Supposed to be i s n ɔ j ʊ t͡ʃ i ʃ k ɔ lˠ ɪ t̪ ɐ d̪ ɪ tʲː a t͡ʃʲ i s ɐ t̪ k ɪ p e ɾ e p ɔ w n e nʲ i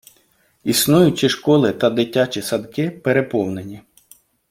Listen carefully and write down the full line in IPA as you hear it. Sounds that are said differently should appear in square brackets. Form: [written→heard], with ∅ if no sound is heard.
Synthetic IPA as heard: i s n [ɔ→u] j ʊ t͡ʃ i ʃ k ɔ lˠ ɪ t̪ ɐ d̪ ɪ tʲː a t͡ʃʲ i s ɐ [t̪→d̪] k ɪ p e ɾ e p ɔ w n e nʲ i